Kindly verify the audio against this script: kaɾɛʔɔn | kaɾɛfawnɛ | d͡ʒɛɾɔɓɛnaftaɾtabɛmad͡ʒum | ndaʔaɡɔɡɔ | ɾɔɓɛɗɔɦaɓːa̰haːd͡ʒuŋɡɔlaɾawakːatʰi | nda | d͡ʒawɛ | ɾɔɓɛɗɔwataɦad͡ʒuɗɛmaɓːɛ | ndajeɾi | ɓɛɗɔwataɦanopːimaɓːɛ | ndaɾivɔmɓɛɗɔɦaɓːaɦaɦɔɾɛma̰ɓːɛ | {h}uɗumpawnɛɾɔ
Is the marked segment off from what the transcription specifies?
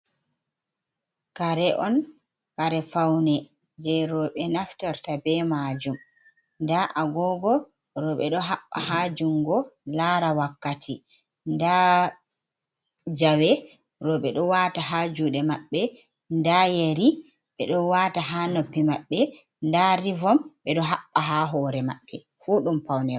yes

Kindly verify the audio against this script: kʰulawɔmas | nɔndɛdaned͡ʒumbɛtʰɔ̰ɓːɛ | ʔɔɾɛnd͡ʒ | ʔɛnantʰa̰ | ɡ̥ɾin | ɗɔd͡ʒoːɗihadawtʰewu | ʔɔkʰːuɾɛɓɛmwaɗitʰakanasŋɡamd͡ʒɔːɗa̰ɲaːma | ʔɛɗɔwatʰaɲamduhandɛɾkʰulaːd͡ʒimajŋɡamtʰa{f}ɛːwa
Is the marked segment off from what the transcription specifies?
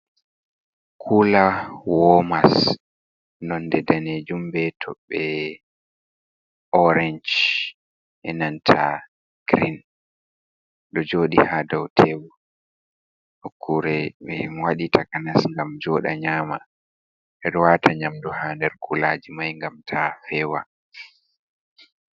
no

